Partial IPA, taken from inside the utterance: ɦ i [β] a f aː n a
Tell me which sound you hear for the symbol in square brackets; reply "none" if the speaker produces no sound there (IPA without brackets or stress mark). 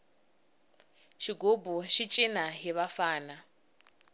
β